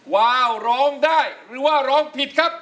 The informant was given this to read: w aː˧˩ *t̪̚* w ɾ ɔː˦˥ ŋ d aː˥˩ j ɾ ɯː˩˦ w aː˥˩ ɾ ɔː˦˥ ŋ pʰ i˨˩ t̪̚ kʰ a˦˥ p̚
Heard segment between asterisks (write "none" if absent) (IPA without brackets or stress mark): none